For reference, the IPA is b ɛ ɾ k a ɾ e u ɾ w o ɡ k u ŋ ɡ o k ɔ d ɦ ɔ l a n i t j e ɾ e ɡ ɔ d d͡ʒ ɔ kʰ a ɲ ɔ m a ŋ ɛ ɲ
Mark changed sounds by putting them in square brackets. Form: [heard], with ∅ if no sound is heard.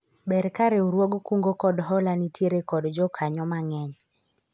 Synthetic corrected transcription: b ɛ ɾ k a ɾ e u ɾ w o ɡ k u ŋ ɡ o k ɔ d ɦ ɔ l a n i t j e ɾ e [k] ɔ d d͡ʒ ɔ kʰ a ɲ ɔ m a ŋ ɛ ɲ